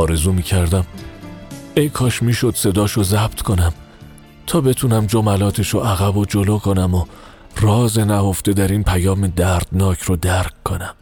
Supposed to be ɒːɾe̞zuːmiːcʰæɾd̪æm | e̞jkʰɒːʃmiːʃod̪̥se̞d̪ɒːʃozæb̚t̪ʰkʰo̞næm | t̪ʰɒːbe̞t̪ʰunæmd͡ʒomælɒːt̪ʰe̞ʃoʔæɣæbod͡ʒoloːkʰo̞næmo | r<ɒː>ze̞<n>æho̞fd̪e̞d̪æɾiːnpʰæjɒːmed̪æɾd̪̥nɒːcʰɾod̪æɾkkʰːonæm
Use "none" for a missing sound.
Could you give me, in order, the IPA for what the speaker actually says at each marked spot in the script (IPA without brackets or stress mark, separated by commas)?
ɒː, n